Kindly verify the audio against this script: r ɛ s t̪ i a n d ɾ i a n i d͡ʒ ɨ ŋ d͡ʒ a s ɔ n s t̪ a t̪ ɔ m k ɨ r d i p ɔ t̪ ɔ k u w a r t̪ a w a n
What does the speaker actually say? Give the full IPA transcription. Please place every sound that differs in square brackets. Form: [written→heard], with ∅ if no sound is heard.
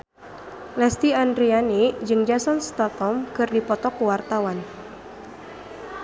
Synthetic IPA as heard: [r→l] ɛ s t̪ i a n d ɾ i a n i d͡ʒ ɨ ŋ d͡ʒ a s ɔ n s t̪ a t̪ ɔ m k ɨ r d i p ɔ t̪ ɔ k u w a r t̪ a w a n